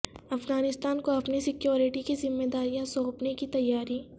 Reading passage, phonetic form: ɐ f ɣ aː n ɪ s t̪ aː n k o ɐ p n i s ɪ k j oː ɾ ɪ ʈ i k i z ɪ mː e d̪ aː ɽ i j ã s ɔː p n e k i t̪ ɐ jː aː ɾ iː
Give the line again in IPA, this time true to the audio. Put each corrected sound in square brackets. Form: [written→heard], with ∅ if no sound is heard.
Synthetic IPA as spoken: ɐ f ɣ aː n ɪ s t̪ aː n k o ɐ p n i s ɪ k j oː ɾ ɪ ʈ i k i z ɪ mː e d̪ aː [ɽ→ɾ] i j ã s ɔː p n e k i t̪ ɐ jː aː ɾ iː